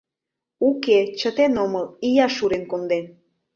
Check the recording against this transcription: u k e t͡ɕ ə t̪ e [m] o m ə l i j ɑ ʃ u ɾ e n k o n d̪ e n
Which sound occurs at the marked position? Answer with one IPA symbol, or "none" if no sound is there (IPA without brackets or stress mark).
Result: n